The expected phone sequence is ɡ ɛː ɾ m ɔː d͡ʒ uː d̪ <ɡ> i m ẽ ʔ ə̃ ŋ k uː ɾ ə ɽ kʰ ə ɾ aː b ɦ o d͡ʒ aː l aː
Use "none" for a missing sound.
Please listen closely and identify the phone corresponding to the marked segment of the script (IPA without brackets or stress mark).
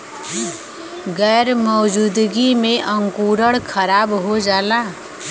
ɡ